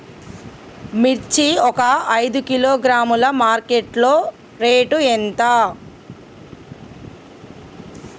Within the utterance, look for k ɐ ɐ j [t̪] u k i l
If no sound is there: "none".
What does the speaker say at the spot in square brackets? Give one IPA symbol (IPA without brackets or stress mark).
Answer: d̪